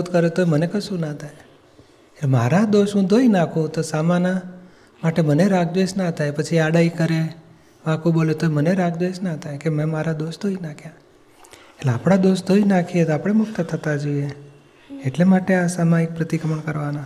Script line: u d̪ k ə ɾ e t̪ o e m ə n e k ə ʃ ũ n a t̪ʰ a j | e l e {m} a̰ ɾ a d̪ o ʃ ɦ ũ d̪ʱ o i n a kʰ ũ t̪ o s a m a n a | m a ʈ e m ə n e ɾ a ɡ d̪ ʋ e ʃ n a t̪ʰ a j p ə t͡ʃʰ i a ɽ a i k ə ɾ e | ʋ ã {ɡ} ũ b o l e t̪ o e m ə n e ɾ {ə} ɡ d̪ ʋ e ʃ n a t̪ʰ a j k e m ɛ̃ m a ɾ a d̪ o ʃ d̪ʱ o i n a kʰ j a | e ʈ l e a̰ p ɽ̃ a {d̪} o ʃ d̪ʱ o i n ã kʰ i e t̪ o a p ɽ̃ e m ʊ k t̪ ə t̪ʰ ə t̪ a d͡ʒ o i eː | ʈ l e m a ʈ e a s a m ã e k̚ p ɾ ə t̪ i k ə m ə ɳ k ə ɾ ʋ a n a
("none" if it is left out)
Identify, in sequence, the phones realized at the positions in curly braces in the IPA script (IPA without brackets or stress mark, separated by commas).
m, k, a, d̪